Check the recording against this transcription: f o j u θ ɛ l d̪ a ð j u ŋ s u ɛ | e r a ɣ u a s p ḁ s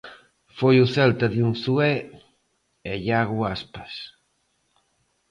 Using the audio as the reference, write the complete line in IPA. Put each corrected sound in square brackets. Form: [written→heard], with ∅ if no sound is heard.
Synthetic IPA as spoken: f o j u θ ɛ l [d̪→t̪] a ð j u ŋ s u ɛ | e [r→ʎ] a ɣ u a s p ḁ s

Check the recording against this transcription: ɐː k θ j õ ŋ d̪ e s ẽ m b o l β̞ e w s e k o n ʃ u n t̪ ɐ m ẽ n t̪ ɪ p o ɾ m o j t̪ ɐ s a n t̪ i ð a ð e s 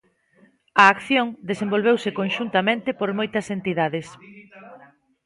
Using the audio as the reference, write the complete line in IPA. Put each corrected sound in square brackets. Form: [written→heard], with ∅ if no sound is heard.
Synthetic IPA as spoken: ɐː k θ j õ ŋ d̪ e s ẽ m b o l β̞ e w s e k o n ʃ u n t̪ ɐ m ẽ n t̪ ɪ p o ɾ m o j t̪ ɐ s [a→e] n t̪ i ð a ð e s

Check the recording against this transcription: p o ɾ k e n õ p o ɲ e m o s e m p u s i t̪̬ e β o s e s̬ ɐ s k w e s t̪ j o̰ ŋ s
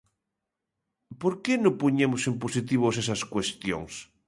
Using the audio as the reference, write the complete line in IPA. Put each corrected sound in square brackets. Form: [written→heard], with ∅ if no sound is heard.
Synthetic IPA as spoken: p o ɾ k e n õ p o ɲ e m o s e m p [u→o] s i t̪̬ [e→i] β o s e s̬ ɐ s k w e s t̪ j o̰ ŋ s

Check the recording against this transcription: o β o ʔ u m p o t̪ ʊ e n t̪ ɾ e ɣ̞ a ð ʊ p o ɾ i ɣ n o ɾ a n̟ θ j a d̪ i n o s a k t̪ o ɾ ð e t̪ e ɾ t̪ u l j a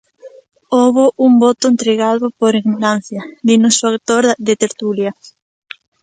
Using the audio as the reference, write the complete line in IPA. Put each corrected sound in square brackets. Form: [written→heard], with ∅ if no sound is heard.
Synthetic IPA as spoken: o β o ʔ u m [p→b] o t̪ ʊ e n t̪ ɾ e ɣ̞ a ð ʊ p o ɾ i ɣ n o ɾ a n̟ θ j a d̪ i n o s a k t̪ o ɾ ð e t̪ e ɾ t̪ u l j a

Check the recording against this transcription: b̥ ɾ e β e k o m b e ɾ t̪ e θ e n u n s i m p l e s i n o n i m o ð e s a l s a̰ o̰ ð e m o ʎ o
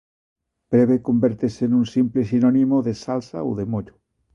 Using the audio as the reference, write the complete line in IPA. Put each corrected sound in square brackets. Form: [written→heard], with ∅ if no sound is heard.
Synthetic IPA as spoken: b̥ ɾ e β e k o m b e ɾ t̪ e [θ→s] e n u n s i m p l e s i n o n i m o ð e s a l s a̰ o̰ ð e m o ʎ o

